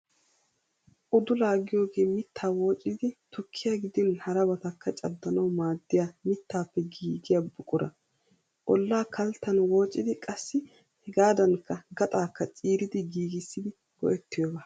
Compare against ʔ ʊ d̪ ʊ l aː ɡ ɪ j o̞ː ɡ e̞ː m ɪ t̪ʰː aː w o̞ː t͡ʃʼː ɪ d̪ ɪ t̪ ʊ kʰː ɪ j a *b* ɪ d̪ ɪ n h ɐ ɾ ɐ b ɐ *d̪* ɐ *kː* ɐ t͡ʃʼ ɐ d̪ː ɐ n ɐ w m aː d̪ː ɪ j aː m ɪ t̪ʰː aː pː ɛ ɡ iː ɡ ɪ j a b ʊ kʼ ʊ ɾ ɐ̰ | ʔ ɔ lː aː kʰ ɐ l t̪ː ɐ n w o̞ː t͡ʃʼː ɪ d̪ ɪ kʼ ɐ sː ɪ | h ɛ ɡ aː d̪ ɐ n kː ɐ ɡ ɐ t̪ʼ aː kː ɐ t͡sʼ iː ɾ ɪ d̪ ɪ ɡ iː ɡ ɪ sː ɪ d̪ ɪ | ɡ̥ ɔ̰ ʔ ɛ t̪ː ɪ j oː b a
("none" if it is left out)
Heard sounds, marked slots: ɡ, t̪, kː

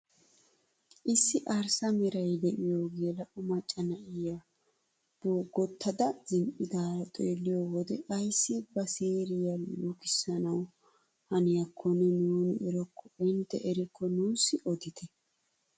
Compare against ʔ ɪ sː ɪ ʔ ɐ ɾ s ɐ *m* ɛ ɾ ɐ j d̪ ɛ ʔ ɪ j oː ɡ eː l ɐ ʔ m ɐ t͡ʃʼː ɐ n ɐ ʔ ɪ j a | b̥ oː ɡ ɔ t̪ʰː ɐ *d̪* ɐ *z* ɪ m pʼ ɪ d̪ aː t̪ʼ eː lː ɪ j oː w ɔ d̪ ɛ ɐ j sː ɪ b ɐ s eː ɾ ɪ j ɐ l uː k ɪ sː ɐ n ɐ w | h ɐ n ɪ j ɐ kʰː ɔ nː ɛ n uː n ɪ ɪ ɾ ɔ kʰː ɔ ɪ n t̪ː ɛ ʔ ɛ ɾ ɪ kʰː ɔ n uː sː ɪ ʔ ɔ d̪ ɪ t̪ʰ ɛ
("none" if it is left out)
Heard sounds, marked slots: m, d̪, z

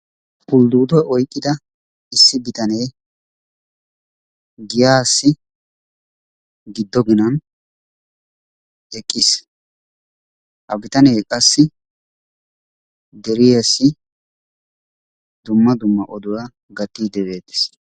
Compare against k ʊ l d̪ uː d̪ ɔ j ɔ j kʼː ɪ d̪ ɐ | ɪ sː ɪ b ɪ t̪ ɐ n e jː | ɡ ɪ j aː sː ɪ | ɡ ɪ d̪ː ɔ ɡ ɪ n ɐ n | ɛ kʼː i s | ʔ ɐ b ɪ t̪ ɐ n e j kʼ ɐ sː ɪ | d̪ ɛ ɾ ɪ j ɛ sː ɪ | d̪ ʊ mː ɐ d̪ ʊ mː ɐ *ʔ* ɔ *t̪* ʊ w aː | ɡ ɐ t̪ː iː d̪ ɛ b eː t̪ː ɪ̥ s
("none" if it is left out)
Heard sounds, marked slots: ʔ, d̪

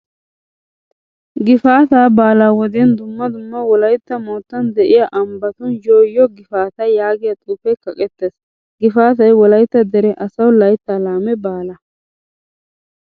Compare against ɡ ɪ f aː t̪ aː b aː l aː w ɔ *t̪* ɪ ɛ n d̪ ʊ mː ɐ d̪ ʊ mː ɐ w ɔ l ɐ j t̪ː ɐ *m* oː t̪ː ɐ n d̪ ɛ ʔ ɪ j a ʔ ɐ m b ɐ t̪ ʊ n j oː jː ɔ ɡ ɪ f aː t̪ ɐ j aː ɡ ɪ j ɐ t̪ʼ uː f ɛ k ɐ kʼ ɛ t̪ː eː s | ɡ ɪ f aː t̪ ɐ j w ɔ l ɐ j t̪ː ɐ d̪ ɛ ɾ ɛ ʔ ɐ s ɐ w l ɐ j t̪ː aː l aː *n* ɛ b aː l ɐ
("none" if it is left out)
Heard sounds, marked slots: d̪, m, m

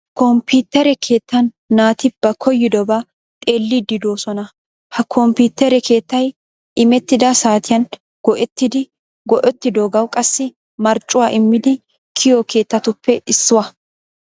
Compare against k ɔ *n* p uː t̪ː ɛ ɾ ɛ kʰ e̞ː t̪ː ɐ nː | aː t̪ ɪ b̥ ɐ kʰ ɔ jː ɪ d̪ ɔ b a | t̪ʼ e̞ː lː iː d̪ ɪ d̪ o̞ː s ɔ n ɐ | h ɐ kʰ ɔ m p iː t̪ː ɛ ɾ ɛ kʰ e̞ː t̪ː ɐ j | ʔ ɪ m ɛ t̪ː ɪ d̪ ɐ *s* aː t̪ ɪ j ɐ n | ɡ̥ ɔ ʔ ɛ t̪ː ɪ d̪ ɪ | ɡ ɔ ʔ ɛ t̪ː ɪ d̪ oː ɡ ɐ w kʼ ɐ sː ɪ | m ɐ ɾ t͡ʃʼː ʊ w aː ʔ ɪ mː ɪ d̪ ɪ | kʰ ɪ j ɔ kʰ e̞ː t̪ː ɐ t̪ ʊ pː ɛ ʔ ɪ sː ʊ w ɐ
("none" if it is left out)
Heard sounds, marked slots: m, s

